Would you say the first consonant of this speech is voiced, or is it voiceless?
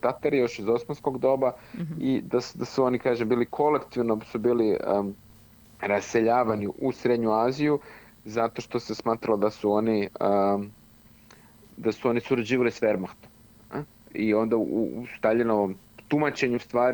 voiceless